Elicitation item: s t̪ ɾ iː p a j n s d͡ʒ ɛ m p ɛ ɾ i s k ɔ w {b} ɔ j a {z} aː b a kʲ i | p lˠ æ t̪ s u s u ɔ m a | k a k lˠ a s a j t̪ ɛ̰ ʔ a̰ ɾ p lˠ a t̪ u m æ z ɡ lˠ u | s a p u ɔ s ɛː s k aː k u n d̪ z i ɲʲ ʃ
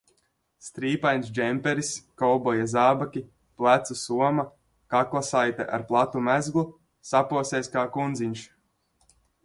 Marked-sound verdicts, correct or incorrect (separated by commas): correct, correct